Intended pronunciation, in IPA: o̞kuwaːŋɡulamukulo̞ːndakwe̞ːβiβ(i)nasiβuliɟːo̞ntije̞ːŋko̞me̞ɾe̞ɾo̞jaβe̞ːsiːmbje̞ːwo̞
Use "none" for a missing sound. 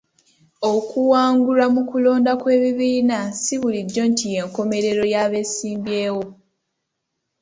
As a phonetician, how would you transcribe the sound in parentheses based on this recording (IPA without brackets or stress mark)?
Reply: iː